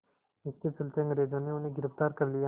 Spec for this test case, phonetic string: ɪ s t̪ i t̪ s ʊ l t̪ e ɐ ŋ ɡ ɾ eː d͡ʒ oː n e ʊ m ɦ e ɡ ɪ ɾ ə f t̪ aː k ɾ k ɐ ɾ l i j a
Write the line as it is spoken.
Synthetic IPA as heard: ɪ s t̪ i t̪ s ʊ l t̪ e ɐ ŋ ɡ ɾ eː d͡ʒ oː n e ʊ n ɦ e ɡ ɪ ɾ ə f t̪ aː ɾ k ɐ ɾ l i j a